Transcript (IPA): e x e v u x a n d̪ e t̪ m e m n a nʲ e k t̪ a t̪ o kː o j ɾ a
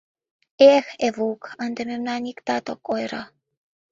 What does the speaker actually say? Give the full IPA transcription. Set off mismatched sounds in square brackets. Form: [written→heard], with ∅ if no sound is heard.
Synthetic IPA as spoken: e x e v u [x→k] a n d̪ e [t̪→∅] m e m n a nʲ [e→i] k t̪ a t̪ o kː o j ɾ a